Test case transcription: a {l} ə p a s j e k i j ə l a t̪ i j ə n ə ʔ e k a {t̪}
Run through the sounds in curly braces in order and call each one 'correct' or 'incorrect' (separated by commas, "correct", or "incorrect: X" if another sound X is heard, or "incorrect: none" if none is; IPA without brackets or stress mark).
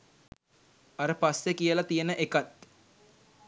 incorrect: ɾ, correct